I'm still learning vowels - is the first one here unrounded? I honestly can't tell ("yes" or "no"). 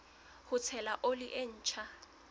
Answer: no